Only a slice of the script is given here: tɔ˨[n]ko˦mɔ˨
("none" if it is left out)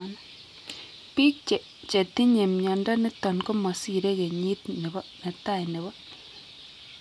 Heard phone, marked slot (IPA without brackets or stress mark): n